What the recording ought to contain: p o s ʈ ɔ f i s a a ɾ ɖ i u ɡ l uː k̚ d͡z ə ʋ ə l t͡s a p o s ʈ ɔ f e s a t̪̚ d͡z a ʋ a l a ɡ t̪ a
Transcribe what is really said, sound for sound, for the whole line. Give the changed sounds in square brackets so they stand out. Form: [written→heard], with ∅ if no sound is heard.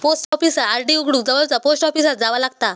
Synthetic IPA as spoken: p o s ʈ ɔ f i s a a ɾ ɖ i u ɡ [l→ɽ] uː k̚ d͡z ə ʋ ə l t͡s a p o s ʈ ɔ f [e→i] s a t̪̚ d͡z a ʋ a l a ɡ t̪ a